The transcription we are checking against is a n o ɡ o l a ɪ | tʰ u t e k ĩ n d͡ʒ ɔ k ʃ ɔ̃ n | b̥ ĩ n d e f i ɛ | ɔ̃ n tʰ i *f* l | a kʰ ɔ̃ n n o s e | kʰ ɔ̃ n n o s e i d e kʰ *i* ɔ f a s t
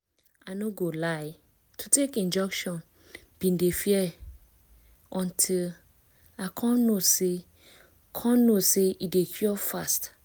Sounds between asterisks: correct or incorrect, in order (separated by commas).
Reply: incorrect, incorrect